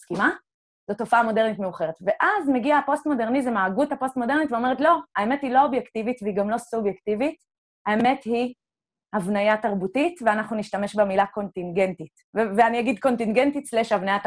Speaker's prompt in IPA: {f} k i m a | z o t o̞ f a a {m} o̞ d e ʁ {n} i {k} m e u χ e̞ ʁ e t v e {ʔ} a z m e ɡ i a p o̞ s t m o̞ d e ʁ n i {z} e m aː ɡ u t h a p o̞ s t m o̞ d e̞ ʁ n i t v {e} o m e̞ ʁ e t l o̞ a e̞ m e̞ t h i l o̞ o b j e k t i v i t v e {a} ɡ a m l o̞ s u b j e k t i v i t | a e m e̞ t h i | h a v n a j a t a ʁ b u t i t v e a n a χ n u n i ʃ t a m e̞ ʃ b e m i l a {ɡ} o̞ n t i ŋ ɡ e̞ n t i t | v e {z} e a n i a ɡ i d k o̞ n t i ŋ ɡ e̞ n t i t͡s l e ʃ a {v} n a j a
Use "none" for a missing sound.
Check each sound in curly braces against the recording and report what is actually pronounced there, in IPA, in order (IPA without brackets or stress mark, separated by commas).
s, m, n, t, ʔ, z, e, i, k, v, v